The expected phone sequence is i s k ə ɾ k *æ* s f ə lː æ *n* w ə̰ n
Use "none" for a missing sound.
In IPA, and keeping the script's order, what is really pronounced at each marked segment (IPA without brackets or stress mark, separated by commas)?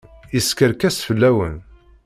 æ, none